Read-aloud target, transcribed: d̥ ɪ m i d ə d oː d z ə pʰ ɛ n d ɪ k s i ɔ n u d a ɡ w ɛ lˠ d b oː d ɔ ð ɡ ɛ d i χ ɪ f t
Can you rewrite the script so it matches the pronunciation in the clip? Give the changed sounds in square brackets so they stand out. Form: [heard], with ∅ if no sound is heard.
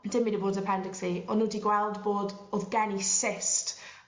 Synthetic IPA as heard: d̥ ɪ m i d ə [b] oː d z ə pʰ ɛ n d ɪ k s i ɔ n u d [i] ɡ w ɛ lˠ d b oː d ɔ ð ɡ ɛ [n] i [s] ɪ [s] t